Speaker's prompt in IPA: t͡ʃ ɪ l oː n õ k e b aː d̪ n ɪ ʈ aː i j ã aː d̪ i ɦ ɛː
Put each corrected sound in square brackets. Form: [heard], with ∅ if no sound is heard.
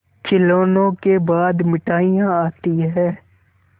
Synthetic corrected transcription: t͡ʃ ɪ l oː n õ k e b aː d̪ [m] ɪ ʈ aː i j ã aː [t̪] i ɦ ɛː